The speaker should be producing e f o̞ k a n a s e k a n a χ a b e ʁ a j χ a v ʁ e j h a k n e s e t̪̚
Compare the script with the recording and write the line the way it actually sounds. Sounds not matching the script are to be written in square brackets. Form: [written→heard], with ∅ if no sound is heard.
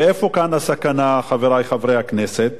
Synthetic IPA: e f o̞ k a n a s [e→a] k a n a χ a [b→v] e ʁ a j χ a v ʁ e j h a k n e s e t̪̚